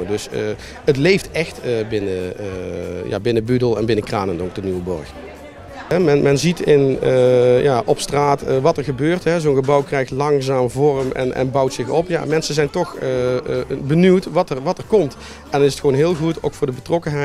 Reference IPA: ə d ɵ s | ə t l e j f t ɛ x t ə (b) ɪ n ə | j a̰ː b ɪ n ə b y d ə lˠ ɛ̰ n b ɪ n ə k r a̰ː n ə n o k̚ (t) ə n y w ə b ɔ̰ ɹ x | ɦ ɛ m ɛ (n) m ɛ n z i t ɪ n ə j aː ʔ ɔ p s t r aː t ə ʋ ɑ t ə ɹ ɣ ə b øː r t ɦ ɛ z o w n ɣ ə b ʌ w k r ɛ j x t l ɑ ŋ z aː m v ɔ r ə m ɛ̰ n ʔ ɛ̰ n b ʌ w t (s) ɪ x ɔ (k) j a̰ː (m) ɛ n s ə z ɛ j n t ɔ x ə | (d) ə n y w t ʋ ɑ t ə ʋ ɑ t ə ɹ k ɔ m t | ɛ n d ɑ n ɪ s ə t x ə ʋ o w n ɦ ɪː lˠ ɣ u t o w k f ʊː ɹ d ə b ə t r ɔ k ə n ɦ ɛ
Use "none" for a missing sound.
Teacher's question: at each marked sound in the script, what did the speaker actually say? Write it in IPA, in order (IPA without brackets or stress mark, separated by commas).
b, d, n, s, p, m, b